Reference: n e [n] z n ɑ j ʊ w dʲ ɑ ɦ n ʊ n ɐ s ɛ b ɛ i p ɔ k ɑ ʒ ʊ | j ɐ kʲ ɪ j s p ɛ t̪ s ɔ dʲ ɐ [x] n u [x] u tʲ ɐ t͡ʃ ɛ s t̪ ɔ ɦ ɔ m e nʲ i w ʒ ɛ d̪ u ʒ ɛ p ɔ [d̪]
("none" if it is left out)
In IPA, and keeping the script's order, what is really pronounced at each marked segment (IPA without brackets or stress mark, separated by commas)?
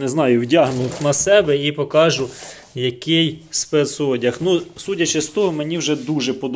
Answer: none, x, s, d̪